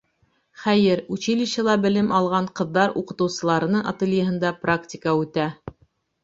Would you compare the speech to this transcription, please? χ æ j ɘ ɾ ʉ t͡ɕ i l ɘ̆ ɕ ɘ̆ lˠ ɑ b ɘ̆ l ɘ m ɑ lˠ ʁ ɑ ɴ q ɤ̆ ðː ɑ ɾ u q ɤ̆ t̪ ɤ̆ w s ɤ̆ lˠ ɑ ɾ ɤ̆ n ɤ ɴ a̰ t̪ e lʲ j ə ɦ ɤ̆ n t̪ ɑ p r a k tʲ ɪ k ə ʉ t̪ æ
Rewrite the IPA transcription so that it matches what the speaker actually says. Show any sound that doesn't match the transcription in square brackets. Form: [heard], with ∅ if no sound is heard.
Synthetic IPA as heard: χ æ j ɘ ɾ ʉ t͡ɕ i l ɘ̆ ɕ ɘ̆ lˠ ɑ b ɘ̆ l ɘ m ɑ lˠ ʁ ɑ ɴ q ɤ̆ ðː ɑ ɾ u q ɤ̆ t̪ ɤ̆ w s ɤ̆ lˠ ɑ ɾ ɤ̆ n ɤ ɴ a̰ t̪ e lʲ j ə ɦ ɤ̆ n [d̪] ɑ p r a k tʲ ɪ k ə ʉ t̪ æ

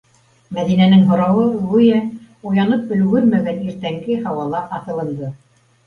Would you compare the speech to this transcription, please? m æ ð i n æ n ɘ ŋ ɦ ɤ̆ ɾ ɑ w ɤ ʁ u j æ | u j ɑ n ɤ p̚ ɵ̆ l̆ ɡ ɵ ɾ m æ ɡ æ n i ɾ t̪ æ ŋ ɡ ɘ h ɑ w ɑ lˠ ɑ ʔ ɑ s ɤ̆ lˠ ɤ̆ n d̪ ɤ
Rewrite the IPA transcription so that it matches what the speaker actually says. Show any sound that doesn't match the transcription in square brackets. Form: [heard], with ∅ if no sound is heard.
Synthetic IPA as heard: m æ ð i n æ n ɘ ŋ ɦ [ŏ] ɾ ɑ w ɤ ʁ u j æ | u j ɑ n ɤ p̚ ɵ̆ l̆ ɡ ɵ ɾ m æ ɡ æ n i ɾ t̪ æ ŋ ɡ ɘ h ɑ w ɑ lˠ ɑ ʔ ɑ [θ] ɤ̆ lˠ ɤ̆ n d̪ ɤ

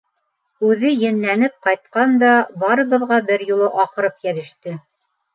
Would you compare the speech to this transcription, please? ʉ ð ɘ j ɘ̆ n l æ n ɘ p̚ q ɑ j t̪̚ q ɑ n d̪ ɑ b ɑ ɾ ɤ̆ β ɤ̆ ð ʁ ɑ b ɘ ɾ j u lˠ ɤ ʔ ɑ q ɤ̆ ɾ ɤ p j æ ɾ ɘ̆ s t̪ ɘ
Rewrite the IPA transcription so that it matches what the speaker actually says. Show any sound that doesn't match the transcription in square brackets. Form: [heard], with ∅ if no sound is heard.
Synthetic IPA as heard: ʉ ð ɘ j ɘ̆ n l æ n ɘ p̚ q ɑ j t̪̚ q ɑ n d̪ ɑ b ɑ ɾ ɤ̆ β ɤ̆ ð ʁ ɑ b ɘ ɾ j u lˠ ɤ ʔ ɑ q ɤ̆ ɾ ɤ p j æ ɾ ɘ̆ [ʃ] t̪ ɘ

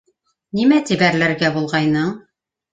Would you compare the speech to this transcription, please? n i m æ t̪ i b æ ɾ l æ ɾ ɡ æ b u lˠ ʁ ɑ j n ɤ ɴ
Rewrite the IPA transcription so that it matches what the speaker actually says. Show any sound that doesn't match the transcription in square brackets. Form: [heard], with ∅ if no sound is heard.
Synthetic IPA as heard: n i m æ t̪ i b æ ɾ l æ ɾ ɡ æ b u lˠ ʁ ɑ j n ɤ ɴ

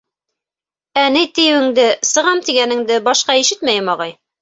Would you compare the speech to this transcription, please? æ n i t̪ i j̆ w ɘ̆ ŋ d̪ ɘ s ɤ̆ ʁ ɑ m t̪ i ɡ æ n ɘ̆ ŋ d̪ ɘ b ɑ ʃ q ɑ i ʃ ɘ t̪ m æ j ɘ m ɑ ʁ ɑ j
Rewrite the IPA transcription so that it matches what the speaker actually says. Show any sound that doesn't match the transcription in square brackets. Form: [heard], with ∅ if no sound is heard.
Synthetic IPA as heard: æ n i t̪ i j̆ w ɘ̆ ŋ d̪ ɘ s ɤ̆ ʁ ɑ m t̪ i ɡ æ n ɘ̆ ŋ d̪ ɘ b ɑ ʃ q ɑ i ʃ ɘ t̪ m æ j ɘ m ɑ ʁ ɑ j

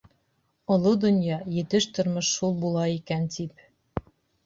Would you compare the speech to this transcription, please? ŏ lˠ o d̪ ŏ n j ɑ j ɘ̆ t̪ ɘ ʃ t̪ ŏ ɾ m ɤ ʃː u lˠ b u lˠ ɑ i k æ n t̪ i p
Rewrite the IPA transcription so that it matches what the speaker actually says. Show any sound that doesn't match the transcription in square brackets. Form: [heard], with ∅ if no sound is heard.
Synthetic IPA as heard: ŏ lˠ o d̪ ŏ n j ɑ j ɘ̆ t̪ ɘ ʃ t̪ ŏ ɾ m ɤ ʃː u lˠ b u lˠ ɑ i k æ n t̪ i p

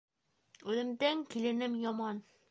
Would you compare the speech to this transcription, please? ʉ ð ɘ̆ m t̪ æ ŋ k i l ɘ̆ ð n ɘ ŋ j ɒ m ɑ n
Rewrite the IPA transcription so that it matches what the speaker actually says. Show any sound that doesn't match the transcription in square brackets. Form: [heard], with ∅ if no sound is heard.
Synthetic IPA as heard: ʉ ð ɘ̆ m [d̪] æ ŋ k i l ɘ̆ [∅] n ɘ [m] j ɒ m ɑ n

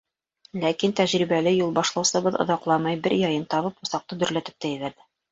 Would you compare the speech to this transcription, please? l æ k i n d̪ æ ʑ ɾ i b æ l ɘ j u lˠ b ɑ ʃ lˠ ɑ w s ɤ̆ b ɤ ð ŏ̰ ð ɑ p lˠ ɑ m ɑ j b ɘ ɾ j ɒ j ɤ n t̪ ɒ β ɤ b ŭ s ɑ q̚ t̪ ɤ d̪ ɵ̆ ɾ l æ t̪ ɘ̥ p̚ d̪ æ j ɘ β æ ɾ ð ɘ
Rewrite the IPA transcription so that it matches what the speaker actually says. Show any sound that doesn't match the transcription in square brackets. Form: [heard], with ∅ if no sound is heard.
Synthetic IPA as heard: l æ k i n [t̪] æ ʑ ɾ i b æ l ɘ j u lˠ b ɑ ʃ lˠ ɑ w s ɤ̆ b ɤ ð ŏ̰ ð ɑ [q] lˠ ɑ m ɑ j b ɘ ɾ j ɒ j ɤ n t̪ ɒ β ɤ [p] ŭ s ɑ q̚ t̪ ɤ d̪ ɵ̆ ɾ l æ t̪ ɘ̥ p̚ [t̪] æ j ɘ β æ ɾ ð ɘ

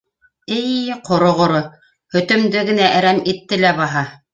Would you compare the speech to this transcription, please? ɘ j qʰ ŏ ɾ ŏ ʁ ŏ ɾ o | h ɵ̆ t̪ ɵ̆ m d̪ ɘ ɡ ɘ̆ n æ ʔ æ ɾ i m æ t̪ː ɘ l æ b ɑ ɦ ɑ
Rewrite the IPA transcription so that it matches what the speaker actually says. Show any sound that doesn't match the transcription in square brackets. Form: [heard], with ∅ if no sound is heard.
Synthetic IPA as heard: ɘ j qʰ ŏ ɾ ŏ ʁ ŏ ɾ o | h ɵ̆ t̪ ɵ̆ m d̪ ɘ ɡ ɘ̆ n æ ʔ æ ɾ [æ] m [i] t̪ː ɘ l æ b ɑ ɦ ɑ

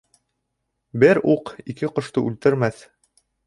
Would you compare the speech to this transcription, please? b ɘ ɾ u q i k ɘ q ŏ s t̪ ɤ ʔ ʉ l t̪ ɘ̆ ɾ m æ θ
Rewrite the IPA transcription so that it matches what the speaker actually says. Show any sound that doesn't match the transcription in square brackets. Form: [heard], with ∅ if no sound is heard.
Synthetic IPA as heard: b ɘ ɾ u q i k ɘ q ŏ [ʃ] t̪ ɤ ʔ ʉ l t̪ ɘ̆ ɾ m æ θ

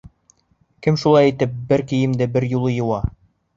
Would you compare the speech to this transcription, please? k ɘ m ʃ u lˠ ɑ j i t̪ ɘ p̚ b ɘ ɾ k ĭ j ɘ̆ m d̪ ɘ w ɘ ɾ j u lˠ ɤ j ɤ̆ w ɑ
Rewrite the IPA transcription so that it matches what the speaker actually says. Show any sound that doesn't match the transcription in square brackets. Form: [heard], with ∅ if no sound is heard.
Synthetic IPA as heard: k ɘ m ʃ u lˠ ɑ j i t̪ ɘ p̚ b ɘ ɾ k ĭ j ɘ̆ m d̪ ɘ [b] ɘ ɾ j u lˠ ɤ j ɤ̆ w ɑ

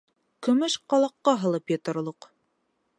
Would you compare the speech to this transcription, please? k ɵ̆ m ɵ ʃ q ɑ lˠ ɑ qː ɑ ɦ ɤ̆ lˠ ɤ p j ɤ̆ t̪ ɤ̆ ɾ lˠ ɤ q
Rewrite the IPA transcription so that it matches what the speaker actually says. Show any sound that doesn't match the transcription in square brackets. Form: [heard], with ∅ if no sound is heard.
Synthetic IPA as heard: k ɵ̆ m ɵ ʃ q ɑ lˠ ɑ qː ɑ ɦ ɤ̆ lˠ ɤ p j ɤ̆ t̪ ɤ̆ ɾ lˠ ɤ q

